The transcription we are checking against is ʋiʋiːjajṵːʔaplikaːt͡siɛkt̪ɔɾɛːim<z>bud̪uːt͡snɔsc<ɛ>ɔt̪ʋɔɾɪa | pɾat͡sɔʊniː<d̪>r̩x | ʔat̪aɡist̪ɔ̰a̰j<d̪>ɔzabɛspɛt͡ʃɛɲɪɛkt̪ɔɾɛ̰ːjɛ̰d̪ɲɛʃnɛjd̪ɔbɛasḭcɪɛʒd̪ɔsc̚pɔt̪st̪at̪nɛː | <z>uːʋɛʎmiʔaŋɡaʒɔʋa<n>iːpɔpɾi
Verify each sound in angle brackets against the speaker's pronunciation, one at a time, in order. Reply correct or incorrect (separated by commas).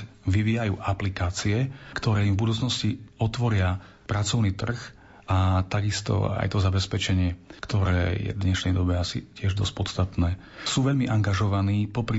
incorrect, incorrect, incorrect, incorrect, incorrect, correct